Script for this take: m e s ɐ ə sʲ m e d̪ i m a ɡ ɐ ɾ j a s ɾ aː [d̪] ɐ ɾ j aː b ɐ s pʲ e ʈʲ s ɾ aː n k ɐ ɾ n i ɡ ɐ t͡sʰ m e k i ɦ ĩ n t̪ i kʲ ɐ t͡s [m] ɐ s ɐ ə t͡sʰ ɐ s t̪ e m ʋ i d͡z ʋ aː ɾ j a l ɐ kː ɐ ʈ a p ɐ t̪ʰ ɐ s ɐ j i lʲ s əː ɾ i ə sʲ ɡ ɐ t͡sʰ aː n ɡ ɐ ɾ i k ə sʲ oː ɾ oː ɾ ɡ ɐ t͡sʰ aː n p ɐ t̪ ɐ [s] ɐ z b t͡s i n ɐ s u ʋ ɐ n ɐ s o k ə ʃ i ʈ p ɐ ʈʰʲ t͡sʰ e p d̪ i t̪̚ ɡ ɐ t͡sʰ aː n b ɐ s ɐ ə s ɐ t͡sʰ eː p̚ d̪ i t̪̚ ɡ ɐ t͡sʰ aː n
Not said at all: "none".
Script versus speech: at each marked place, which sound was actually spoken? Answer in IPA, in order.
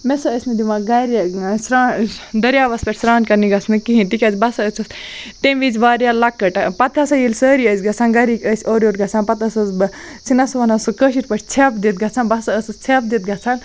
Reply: d̪, b, s

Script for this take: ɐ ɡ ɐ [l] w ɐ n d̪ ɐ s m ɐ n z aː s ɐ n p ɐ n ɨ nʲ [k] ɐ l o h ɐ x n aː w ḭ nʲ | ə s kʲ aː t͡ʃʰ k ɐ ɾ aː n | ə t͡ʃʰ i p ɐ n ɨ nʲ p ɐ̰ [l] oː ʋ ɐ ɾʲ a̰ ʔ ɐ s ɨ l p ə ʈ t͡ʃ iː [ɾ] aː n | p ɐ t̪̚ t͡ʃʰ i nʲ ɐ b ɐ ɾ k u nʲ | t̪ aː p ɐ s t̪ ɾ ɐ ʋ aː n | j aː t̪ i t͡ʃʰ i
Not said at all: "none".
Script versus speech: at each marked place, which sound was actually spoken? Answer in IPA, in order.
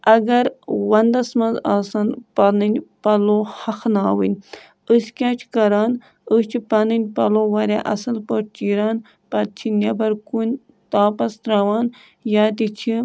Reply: ɾ, p, l, ɾ

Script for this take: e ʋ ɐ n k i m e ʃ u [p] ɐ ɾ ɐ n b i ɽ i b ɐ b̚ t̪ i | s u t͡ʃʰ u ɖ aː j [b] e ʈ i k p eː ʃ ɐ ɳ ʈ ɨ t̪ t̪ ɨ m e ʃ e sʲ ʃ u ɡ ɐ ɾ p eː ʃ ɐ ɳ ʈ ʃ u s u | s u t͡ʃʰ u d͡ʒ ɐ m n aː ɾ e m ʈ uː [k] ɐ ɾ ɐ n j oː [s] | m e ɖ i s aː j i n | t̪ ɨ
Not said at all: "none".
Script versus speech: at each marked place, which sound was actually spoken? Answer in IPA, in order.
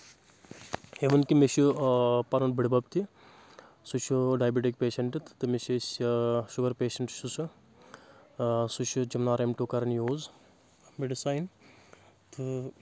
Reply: p, b, k, z

